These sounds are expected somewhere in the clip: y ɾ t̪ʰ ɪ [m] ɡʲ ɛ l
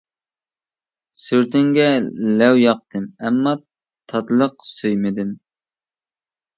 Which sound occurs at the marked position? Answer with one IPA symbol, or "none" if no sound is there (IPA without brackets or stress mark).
ŋ